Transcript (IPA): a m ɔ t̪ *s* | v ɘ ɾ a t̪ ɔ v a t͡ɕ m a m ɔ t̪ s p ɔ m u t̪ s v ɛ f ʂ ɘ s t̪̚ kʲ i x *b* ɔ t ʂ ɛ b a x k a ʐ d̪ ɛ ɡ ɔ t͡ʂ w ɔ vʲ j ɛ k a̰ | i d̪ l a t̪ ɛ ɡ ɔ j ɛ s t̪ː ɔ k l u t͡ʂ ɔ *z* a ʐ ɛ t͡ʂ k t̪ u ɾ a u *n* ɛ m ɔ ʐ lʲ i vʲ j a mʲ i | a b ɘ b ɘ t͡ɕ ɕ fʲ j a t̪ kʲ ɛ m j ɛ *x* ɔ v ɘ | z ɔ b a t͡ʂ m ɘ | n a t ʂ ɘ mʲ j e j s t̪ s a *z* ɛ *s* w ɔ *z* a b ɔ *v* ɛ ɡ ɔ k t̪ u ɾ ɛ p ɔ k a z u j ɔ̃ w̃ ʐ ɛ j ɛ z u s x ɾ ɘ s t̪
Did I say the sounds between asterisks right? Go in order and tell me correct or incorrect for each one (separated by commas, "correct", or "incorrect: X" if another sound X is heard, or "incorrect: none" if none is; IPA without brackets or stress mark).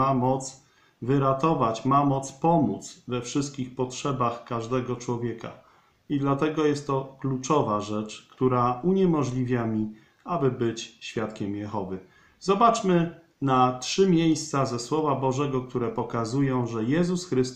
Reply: correct, incorrect: p, incorrect: v, incorrect: ɲ, correct, correct, correct, incorrect: v, incorrect: ʐ